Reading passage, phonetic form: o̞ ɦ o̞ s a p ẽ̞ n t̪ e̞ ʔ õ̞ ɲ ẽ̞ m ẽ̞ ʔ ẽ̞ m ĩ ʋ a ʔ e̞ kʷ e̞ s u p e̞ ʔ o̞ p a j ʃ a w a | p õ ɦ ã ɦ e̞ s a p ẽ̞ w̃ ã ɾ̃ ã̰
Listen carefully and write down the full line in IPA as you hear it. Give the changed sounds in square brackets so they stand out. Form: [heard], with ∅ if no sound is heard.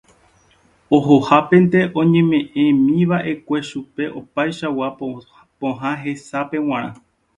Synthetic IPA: o̞ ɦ o̞ [h] a p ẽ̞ n t̪ e̞ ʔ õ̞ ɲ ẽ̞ m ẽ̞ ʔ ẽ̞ m ĩ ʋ a ʔ e̞ kʷ e̞ [ʃ] u p e̞ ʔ o̞ p a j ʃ a w a | p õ ɦ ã ɦ e̞ s a p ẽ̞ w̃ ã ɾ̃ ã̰